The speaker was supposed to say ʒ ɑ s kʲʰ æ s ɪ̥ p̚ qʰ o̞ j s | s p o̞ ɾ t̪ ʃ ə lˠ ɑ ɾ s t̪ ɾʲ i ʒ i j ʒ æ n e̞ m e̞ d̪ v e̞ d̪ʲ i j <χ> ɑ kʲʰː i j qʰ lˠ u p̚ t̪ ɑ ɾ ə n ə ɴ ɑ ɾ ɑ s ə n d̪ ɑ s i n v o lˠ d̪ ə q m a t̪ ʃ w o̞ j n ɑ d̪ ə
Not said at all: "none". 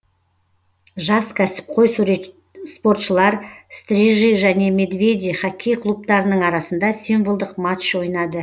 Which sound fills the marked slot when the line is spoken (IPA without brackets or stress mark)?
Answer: χ